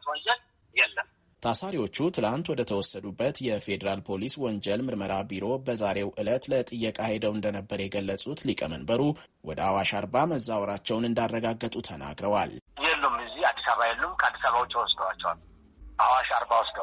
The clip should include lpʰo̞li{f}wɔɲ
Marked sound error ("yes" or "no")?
yes